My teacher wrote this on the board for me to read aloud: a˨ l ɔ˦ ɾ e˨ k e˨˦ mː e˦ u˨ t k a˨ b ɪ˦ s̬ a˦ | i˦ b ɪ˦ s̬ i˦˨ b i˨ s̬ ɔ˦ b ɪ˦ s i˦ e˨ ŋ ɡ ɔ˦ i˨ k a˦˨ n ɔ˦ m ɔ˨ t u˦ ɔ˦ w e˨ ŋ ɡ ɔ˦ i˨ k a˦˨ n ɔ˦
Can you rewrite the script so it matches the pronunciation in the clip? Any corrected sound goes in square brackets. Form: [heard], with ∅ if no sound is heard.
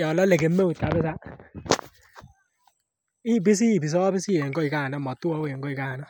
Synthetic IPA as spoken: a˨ l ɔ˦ [l] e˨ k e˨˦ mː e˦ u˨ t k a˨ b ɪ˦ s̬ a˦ | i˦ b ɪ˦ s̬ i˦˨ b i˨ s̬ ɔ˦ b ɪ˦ s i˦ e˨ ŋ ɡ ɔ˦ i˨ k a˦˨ n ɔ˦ m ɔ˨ t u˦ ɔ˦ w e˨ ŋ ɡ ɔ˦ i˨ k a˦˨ n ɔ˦